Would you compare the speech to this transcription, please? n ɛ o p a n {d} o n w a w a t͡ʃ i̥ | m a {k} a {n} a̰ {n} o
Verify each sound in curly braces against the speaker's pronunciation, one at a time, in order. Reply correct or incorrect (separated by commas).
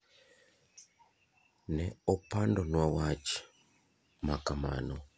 correct, correct, incorrect, correct